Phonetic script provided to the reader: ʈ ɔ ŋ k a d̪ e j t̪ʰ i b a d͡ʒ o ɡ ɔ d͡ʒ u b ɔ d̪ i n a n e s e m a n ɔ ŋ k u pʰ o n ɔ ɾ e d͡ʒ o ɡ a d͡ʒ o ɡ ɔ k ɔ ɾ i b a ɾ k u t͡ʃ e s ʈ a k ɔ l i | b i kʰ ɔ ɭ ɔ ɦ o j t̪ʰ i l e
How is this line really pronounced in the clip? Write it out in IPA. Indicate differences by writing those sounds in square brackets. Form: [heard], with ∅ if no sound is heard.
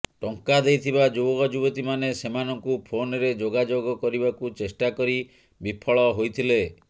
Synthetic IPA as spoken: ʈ ɔ ŋ k a d̪ e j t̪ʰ i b a d͡ʒ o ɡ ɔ d͡ʒ u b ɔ [t̪] i [m] a n e s e m a n ɔ ŋ k u pʰ o n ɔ ɾ e d͡ʒ o ɡ a d͡ʒ o ɡ ɔ k ɔ ɾ i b a [∅] k u t͡ʃ e s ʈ a k ɔ [ɾ] i | b i [pʰ] ɔ ɭ ɔ ɦ o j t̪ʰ i l e